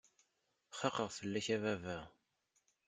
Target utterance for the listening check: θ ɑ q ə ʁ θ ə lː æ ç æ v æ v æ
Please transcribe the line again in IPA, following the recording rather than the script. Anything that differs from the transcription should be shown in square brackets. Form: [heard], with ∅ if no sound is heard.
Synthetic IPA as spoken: [χ] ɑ q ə ʁ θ ə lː æ ç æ v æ v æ